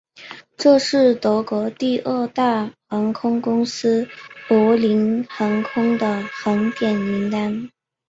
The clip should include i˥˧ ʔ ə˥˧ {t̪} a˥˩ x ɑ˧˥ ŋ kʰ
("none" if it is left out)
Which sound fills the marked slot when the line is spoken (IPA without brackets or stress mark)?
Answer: t̪